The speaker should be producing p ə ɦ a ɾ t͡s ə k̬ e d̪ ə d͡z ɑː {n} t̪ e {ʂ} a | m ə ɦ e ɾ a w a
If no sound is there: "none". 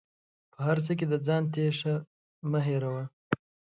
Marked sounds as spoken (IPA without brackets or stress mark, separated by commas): n, ʂ